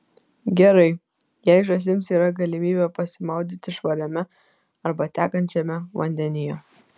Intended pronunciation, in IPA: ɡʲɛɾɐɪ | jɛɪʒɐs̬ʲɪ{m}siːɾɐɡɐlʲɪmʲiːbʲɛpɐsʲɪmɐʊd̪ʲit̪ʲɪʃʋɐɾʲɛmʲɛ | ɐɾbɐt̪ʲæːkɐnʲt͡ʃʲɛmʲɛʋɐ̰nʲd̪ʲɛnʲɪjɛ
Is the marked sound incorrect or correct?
correct